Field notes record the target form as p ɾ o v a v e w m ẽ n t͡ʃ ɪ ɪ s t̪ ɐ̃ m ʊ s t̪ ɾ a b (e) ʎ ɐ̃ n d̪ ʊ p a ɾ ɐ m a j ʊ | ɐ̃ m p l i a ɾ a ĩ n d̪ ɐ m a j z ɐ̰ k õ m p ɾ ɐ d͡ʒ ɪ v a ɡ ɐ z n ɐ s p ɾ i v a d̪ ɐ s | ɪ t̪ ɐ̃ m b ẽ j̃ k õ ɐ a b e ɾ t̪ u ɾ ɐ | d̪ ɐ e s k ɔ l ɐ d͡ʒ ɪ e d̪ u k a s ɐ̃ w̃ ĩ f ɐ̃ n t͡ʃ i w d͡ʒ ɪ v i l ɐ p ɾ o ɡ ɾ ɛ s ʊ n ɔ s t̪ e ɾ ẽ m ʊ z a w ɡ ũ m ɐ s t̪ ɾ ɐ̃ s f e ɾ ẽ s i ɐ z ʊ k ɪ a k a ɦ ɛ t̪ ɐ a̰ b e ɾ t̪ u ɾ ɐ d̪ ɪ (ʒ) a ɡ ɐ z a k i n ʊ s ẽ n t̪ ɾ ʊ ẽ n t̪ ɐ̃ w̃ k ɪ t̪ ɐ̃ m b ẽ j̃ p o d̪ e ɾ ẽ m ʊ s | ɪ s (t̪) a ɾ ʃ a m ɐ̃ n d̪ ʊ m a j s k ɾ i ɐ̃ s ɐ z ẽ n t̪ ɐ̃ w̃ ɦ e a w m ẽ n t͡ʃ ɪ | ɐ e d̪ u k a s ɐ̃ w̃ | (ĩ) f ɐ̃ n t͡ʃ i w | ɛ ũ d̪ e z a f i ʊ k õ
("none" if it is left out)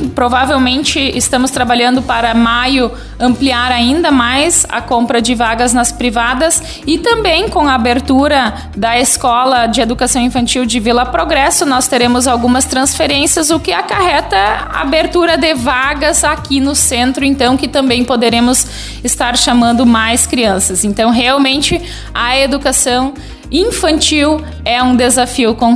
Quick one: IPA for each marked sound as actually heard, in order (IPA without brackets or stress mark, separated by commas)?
a, v, t̪, ĩ